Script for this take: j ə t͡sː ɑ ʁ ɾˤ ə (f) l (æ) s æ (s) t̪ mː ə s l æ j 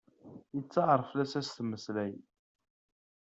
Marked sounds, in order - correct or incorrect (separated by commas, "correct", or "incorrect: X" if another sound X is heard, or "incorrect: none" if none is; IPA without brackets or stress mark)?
correct, correct, correct